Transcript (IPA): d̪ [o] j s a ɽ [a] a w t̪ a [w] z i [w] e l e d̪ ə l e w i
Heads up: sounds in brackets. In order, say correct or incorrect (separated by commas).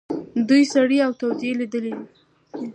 incorrect, incorrect, correct, incorrect